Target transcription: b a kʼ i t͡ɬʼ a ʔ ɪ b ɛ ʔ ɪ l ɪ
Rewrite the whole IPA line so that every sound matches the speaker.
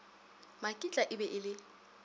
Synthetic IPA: m a kʼ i t͡ɬʼ a ʔ ɪ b ɛ ʔ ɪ l ɪ